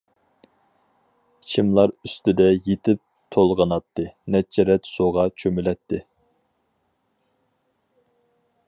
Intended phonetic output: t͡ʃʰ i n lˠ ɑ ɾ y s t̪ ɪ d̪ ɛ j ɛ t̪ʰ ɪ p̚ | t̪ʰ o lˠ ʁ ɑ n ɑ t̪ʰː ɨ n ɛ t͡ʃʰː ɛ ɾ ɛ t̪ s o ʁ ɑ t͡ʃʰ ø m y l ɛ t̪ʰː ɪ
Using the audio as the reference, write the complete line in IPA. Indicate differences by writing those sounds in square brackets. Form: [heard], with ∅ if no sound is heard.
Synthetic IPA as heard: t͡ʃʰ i [m] lˠ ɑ ɾ y s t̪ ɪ d̪ ɛ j [e] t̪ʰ ɪ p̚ | t̪ʰ o lˠ ʁ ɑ n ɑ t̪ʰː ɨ n ɛ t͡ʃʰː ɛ ɾ ɛ t̪ s o ʁ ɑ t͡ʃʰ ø m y l ɛ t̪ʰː ɪ